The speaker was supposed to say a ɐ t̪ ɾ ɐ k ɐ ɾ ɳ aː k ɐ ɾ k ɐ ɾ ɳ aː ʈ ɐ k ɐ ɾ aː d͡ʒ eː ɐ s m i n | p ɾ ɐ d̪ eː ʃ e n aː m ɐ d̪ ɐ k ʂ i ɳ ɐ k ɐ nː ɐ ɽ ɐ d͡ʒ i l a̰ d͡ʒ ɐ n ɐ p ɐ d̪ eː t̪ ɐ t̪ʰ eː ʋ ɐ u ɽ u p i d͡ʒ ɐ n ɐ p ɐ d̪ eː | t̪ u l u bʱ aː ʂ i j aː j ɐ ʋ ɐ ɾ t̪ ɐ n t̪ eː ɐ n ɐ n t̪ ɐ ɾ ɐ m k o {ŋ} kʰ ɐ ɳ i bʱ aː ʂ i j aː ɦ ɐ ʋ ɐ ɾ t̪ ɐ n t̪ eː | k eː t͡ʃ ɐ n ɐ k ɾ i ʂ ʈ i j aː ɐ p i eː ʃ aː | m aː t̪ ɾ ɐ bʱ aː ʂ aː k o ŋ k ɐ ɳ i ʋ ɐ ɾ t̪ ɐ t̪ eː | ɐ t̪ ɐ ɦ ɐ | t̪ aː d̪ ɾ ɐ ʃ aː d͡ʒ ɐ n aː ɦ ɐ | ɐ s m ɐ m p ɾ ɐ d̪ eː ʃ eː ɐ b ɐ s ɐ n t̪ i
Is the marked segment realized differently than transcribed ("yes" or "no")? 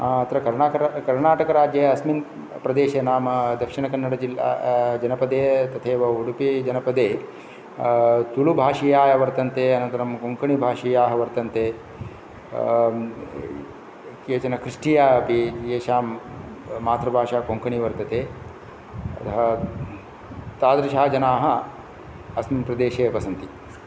no